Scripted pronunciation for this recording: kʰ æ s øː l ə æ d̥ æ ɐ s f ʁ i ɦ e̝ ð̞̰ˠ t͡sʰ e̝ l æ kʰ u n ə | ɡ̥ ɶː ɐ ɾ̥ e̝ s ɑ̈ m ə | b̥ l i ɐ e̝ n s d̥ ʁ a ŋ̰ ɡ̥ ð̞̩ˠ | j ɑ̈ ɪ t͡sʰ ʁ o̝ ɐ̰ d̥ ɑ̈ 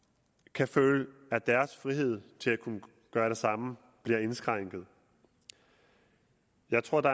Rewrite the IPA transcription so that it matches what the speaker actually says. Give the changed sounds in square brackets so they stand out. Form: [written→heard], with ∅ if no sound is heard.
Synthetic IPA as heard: kʰ æ [s→f] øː l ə æ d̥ æ ɐ s f ʁ i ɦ e̝ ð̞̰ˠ t͡sʰ e̝ l æ kʰ u n ə | ɡ̥ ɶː ɐ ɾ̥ e̝ s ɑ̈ m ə | b̥ l i ɐ e̝ n s [d̥→ɡ̥] ʁ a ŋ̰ ɡ̥ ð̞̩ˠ | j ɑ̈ ɪ t͡sʰ ʁ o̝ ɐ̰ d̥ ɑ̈